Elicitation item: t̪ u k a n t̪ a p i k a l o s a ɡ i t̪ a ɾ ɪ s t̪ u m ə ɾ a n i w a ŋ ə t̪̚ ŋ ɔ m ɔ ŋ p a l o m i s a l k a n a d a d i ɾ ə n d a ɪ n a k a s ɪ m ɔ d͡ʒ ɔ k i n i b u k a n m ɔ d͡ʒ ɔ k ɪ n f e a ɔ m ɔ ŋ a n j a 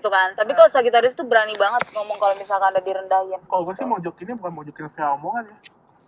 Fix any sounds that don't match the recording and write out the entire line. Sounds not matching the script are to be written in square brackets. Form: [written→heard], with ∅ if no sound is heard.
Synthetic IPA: t̪ u k a n t̪ a p i k a l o s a ɡ i t̪ a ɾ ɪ s t̪ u [m→b] ə ɾ a n i [w→b] a ŋ ə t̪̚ ŋ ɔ m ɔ ŋ [p→k] a l o m i s a l k a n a d a d i ɾ ə n d a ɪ n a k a s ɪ m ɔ d͡ʒ ɔ k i n i b u k a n m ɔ d͡ʒ ɔ k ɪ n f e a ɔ m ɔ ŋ a n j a